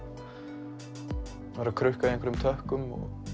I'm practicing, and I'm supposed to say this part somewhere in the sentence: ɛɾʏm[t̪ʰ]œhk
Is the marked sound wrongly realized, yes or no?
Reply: no